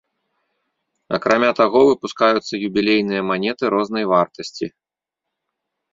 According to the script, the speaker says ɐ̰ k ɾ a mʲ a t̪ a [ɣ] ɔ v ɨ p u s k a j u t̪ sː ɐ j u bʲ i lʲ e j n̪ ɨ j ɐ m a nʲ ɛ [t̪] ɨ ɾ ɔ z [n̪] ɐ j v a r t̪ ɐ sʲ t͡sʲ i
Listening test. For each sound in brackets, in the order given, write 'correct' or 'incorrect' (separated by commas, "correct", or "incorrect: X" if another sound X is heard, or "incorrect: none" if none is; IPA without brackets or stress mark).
correct, correct, correct